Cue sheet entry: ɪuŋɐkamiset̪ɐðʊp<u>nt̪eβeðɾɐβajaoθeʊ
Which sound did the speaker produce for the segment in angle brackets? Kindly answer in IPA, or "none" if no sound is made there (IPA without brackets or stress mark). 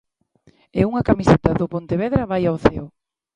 o